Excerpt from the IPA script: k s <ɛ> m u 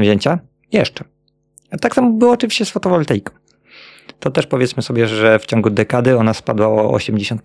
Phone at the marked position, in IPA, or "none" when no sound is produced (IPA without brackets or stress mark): a